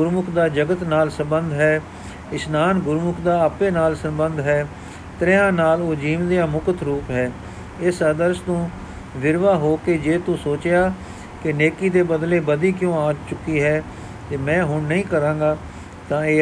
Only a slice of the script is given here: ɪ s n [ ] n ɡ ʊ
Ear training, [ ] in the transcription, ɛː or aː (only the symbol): aː